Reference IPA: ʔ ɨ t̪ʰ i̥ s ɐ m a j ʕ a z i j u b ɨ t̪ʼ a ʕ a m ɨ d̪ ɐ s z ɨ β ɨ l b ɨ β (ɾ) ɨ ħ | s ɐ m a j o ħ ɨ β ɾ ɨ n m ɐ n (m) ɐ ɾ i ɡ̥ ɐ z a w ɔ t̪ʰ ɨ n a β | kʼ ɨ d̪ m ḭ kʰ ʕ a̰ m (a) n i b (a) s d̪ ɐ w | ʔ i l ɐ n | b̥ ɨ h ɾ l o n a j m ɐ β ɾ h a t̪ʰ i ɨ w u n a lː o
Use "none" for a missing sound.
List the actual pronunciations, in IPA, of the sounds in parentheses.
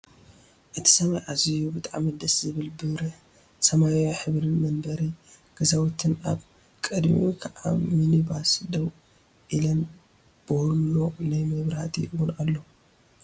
ɾ, b, i, a

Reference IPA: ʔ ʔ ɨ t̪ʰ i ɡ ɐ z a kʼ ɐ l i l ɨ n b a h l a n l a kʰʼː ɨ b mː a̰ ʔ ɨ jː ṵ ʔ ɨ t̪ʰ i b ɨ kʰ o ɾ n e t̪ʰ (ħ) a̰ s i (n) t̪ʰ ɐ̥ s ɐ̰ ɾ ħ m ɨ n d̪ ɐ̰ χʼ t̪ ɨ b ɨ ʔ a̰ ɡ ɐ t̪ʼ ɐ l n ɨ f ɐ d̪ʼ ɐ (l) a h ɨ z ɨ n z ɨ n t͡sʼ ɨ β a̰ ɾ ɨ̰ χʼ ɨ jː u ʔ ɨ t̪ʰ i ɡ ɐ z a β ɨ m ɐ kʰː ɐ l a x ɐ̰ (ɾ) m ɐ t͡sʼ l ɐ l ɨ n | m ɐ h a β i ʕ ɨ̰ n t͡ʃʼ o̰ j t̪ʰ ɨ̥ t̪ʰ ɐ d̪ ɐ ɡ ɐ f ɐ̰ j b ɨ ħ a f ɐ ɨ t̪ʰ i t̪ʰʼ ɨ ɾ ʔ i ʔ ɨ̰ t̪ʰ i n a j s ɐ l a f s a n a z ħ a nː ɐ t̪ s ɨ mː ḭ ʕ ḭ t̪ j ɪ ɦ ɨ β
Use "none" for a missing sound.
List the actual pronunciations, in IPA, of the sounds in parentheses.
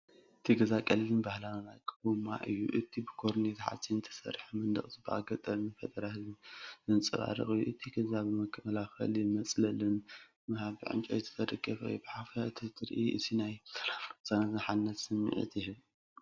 ħ, n, ɾ, l

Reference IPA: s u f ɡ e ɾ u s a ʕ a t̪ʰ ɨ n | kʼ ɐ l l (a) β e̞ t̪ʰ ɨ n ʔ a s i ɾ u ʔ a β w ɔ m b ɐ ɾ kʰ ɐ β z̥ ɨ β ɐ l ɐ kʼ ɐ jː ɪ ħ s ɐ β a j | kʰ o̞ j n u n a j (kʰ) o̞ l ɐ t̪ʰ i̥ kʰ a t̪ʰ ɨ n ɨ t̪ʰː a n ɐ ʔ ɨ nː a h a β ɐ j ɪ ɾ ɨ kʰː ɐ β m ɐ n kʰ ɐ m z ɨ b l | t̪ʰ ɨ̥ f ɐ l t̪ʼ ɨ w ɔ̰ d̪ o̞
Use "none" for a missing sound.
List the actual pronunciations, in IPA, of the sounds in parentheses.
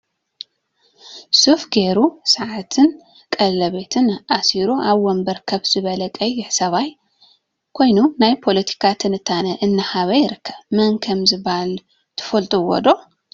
ɐ, pʰ

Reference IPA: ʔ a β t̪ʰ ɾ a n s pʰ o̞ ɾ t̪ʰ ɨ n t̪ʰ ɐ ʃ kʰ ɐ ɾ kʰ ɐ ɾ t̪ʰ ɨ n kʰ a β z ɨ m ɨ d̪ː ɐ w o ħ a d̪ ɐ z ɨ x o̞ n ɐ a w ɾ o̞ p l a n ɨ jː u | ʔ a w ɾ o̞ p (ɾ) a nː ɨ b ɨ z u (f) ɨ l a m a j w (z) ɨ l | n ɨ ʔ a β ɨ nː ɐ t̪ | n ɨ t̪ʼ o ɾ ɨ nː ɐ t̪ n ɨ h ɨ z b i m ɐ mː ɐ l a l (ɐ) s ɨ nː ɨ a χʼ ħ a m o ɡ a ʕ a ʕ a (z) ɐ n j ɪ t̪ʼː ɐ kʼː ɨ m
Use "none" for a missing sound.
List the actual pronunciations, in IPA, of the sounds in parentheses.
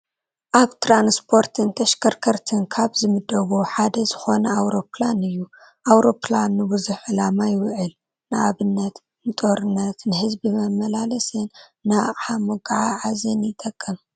l, ħ, ʕ, ɐ, z

